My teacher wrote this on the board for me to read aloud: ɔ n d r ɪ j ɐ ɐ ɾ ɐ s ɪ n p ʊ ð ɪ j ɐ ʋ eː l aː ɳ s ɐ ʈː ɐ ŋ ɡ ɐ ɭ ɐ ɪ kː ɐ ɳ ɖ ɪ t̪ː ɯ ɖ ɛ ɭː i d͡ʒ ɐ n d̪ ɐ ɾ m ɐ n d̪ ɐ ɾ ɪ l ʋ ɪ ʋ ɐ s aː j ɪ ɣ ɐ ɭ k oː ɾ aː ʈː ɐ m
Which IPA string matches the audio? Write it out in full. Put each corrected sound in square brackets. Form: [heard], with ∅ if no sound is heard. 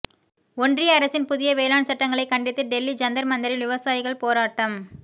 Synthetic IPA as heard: ɔ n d r ɪ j ɐ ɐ ɾ ɐ s ɪ n p ʊ ð ɪ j ɐ ʋ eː l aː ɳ s ɐ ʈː ɐ ŋ ɡ ɐ ɭ ɐ ɪ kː ɐ ɳ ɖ ɪ t̪ː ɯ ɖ ɛ [lː] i d͡ʒ ɐ n d̪ ɐ ɾ m ɐ n d̪ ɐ ɾ ɪ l ʋ ɪ ʋ ɐ s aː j ɪ ɣ ɐ ɭ [p] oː ɾ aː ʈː ɐ m